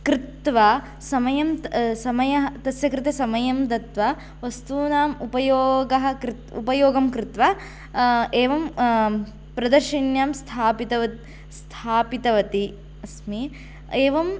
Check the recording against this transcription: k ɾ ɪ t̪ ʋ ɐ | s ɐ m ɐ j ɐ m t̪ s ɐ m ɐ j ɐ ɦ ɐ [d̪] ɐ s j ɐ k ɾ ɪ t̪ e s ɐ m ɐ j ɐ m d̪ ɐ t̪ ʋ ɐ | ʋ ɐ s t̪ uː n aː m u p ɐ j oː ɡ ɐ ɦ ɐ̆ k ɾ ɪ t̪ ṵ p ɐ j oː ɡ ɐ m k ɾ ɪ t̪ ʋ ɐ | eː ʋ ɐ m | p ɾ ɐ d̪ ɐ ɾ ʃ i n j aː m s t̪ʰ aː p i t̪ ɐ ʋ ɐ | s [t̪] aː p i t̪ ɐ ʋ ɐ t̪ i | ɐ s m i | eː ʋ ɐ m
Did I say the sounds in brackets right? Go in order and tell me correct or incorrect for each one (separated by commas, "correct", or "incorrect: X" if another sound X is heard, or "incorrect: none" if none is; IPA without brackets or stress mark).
incorrect: t̪, incorrect: t̪ʰ